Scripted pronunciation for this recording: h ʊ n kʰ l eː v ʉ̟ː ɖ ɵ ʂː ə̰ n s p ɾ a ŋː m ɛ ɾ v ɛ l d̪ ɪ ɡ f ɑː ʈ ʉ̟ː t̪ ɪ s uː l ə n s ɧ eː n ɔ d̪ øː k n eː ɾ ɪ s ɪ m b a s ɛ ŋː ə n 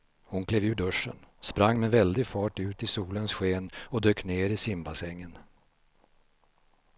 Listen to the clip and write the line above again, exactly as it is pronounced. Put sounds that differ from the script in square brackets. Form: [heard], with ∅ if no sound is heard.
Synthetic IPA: h ʊ n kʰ l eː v ʉ̟ː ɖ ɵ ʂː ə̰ n s p ɾ a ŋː m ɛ [∅] v ɛ l d̪ ɪ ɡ f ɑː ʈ ʉ̟ː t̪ ɪ s uː l ə n s ɧ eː n ɔ d̪ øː k n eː ɾ ɪ s ɪ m b a s ɛ ŋː ə n